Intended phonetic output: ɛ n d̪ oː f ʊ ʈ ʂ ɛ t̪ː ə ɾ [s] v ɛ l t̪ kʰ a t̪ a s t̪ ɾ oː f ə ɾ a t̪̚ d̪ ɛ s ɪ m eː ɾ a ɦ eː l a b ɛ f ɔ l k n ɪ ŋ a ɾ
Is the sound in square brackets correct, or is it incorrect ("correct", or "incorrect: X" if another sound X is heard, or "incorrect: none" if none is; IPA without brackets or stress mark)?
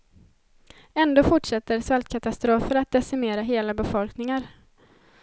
correct